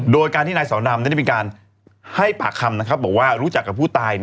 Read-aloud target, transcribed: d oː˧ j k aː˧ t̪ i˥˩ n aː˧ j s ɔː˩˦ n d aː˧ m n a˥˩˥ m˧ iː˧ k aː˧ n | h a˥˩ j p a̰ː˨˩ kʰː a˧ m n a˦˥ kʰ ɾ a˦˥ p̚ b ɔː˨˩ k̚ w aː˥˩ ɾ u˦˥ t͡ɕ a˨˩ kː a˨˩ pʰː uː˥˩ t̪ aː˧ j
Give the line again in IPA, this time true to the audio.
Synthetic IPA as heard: d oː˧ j k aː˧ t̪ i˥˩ n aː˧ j s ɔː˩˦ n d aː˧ m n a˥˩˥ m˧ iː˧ k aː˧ n | h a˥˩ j p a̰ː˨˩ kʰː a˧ m n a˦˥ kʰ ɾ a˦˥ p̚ b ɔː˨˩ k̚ w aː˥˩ ɾ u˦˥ t͡ɕ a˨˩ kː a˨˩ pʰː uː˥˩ t̪ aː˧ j

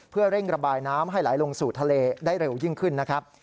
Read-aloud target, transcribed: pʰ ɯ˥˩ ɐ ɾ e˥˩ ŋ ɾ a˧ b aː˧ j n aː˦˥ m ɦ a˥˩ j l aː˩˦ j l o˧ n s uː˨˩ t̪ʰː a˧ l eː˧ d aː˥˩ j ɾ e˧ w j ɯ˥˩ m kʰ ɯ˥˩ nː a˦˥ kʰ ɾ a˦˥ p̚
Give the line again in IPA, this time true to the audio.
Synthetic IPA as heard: pʰ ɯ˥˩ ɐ ɾ e˥˩ ŋ ɾ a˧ b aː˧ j n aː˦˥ m ɦ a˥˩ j l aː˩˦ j l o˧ ŋ s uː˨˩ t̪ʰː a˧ l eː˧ d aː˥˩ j ɾ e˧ w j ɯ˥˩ ŋ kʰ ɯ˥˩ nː a˦˥ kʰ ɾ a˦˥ p̚

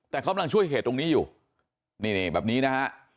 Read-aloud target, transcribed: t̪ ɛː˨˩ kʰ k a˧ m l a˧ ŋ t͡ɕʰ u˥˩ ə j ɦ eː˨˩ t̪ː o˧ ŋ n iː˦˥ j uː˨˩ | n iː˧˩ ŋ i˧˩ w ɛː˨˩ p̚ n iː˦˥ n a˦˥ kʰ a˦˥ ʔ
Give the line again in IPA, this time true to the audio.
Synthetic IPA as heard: t̪ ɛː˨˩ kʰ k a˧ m l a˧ ŋ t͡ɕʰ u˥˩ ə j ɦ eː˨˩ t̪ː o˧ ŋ n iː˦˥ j uː˨˩ | n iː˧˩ n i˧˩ b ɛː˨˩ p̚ n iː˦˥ n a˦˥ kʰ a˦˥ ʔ

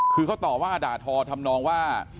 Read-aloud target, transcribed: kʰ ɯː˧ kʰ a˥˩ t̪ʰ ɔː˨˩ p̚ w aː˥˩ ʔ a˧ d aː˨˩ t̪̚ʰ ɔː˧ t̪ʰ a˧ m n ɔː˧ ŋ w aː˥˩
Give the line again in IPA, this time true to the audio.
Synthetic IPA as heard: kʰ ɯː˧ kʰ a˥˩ t̪ ɔː˨˩ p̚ w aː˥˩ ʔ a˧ d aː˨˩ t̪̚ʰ ɔː˧ t̪ʰ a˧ m n ɔː˧ ŋ w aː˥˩

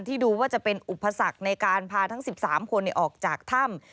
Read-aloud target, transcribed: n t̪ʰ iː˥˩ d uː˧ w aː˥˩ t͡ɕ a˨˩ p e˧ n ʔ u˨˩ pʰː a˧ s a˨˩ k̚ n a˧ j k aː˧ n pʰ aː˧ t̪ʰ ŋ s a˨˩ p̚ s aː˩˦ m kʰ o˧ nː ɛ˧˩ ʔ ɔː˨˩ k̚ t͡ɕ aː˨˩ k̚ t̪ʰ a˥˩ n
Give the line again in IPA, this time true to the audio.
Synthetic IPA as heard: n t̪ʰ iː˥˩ d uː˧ w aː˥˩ t͡ɕ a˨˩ p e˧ n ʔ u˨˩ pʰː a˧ s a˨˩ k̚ n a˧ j k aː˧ n pʰ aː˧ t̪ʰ ŋ s i˨˩ p̚ s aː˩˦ m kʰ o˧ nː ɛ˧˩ ʔ ɔː˨˩ k̚ t͡ɕ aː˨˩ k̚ t̪ʰ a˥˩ m

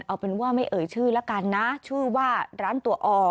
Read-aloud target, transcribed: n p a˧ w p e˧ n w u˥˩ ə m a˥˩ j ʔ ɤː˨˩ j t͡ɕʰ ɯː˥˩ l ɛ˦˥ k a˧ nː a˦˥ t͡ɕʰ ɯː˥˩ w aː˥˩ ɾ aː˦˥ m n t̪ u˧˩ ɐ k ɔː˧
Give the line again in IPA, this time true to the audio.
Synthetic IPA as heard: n ʔ a˧ w p e˧ n w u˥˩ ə m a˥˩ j ʔ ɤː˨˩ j t͡ɕʰ ɯː˥˩ l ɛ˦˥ k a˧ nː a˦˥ t͡ɕʰ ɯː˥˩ w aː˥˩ ɾ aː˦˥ n t̪ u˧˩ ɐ ʔ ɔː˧

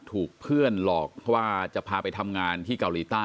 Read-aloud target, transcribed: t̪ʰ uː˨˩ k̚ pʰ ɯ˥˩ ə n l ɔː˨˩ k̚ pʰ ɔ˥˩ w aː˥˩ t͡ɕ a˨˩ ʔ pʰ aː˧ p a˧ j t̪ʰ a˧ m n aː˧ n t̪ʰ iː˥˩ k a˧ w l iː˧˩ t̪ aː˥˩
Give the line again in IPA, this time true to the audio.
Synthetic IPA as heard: t̪ʰ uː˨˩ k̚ pʰ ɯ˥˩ ə n l ɔː˨˩ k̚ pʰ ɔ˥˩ w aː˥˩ t͡ɕ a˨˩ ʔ pʰ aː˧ p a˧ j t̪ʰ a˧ m ŋ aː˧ n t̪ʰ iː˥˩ k a˧ w l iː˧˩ t̪ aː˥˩

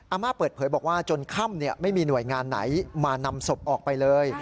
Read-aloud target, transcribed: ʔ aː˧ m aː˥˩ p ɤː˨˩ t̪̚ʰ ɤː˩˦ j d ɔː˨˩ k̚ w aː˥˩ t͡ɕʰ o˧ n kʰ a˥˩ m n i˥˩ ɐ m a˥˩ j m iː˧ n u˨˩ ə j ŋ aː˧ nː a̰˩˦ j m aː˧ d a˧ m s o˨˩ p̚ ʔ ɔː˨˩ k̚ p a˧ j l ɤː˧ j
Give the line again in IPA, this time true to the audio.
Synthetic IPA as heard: ʔ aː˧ m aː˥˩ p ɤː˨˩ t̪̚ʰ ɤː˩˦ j b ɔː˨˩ k̚ w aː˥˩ t͡ɕ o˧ n kʰ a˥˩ m n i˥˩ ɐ m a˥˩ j m iː˧ n u˨˩ ə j ŋ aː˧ nː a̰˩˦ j m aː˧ n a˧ m s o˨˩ p̚ ʔ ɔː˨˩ k̚ p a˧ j l ɤː˧ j

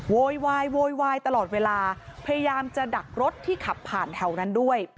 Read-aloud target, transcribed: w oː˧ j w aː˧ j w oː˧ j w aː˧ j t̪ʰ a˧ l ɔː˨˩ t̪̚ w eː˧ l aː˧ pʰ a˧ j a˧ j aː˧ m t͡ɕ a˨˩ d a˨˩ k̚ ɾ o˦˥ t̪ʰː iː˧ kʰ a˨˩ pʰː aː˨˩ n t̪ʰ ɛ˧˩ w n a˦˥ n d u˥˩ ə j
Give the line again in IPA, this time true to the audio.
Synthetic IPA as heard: w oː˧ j w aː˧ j w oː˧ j w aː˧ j t̪ a˧ l ɔː˨˩ t̪̚ w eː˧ l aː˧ pʰ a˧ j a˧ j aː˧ m t͡ɕ a˨˩ d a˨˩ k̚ ɾ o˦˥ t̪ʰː iː˥˩ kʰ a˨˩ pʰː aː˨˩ n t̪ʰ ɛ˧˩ w n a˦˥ n d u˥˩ ə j

